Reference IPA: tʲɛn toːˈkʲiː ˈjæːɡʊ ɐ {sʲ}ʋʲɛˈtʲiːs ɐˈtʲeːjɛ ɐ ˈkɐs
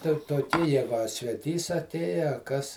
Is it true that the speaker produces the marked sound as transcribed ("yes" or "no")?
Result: yes